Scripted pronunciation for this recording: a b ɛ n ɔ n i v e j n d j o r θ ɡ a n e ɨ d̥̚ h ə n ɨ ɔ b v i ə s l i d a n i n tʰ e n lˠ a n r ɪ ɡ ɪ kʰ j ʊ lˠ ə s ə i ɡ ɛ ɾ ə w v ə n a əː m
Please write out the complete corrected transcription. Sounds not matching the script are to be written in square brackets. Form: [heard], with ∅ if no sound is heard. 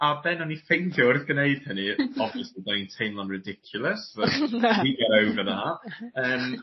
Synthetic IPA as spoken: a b ɛ n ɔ n i [f] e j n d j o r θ ɡ [ə] n e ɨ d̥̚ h ə n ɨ ɔ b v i ə s l i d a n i n tʰ e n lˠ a n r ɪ [d] ɪ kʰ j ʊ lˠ ə s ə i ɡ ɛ ɾ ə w v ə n a əː m